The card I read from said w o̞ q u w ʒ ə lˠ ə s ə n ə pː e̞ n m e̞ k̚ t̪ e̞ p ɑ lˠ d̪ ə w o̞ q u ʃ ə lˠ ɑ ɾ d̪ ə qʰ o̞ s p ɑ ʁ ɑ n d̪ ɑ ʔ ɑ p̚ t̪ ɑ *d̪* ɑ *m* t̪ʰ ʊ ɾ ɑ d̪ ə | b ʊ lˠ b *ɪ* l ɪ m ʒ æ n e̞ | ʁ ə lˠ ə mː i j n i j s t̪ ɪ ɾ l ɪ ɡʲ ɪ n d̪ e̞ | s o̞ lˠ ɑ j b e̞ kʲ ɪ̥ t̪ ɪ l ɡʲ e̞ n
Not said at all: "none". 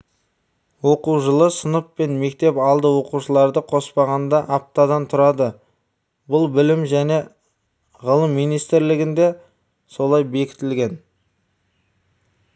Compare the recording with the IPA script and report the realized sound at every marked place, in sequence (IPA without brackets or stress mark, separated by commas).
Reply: d̪, n, ɪ